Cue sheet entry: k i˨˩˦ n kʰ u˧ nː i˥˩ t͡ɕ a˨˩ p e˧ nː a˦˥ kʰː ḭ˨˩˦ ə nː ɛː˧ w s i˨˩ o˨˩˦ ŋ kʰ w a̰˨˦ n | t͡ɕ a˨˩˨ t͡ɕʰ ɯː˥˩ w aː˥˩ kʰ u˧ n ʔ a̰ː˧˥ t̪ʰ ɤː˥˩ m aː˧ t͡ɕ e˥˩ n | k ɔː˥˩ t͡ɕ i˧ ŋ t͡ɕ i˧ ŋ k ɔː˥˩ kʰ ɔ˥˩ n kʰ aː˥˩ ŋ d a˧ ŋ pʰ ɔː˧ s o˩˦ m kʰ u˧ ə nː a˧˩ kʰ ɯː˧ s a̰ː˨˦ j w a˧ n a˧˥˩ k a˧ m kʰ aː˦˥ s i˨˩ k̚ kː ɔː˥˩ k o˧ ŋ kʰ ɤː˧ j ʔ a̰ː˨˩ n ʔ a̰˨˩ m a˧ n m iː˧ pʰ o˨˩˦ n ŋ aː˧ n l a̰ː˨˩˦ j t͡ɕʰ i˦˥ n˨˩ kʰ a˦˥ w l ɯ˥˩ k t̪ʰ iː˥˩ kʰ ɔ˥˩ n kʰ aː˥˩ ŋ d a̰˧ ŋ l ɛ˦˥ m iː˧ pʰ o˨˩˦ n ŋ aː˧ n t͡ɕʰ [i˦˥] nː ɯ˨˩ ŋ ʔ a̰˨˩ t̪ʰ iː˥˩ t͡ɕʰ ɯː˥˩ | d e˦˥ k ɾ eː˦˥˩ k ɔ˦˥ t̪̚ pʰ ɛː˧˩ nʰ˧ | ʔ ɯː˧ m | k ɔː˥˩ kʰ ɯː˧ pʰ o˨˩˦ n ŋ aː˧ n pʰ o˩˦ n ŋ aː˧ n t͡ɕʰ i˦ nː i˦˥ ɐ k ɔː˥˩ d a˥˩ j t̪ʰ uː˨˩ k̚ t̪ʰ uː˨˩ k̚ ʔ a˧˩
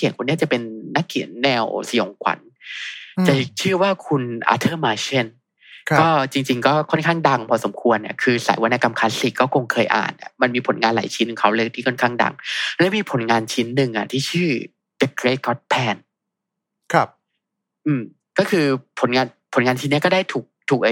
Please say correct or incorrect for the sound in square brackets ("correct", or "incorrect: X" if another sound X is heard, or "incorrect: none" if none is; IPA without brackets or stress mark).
correct